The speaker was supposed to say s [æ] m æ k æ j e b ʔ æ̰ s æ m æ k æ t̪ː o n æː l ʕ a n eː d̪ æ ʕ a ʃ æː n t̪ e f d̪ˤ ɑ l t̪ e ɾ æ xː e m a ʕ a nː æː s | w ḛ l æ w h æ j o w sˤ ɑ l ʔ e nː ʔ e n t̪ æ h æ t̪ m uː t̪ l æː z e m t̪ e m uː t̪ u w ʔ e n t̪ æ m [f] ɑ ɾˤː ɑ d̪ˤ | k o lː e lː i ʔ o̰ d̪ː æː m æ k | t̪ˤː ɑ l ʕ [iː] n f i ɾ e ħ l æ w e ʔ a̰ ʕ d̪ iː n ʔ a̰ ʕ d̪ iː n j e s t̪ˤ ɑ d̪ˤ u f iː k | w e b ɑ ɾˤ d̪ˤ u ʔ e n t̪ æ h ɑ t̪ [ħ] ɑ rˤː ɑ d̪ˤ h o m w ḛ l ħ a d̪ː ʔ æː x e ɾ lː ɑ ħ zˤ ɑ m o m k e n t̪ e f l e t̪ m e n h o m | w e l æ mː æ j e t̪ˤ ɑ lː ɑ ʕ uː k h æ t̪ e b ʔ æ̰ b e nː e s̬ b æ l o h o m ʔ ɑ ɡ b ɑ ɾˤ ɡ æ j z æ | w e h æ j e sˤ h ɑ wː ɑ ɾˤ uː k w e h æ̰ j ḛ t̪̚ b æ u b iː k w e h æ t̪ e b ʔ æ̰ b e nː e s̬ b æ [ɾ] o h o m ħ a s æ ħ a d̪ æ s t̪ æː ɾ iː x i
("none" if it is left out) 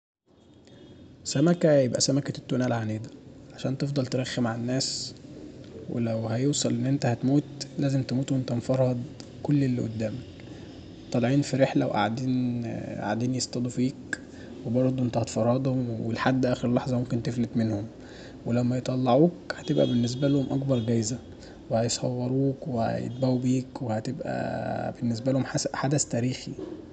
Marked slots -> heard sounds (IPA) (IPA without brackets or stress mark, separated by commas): æ, f, iː, f, l